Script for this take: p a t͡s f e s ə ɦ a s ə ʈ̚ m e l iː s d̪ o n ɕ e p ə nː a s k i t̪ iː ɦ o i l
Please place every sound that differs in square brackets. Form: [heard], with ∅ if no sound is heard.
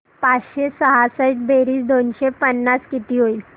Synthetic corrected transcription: p a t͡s [ɕ] e s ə ɦ a s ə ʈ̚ [b] e [ɾ] iː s d̪ o n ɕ e p ə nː a s k i t̪ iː ɦ o i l